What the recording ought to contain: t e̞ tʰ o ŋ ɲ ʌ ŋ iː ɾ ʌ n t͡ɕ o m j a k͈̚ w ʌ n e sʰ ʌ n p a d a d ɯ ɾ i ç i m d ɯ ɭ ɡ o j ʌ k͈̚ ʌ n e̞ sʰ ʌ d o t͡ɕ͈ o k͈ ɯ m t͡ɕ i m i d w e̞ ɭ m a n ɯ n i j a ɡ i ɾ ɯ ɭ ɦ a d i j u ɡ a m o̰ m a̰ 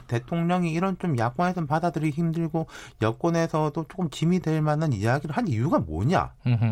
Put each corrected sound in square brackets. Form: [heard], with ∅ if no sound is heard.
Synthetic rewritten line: t e̞ tʰ o ŋ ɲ ʌ ŋ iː ɾ ʌ n t͡ɕ o m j a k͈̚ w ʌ n e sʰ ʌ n p a d a d ɯ ɾ i ç i m d ɯ ɭ ɡ o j ʌ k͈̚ ʌ n e̞ sʰ ʌ d o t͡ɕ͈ o k͈ ɯ m t͡ɕ i m i d w e̞ ɭ m a n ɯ n i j a ɡ i ɾ ɯ ɭ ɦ a [n] i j u ɡ a m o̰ [ɲ] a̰